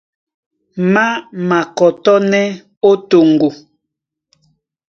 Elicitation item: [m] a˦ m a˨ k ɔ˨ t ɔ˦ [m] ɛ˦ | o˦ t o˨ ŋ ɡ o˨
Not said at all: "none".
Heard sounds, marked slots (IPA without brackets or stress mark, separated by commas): m, n